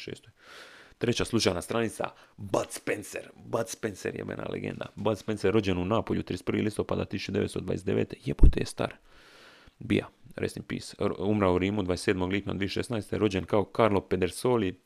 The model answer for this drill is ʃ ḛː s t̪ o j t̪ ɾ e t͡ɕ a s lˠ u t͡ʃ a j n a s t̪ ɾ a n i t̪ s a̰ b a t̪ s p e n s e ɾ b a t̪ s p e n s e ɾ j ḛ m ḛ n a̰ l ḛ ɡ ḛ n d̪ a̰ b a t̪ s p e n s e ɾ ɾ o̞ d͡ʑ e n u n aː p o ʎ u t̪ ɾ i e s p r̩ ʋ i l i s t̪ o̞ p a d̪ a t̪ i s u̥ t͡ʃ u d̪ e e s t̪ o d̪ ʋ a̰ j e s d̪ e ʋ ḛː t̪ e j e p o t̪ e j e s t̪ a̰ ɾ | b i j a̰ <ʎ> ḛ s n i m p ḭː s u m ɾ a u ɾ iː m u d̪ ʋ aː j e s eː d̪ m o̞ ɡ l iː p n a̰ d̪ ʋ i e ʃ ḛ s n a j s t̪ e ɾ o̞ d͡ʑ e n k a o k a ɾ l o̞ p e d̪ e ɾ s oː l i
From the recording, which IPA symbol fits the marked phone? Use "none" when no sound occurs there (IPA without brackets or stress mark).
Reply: ɾ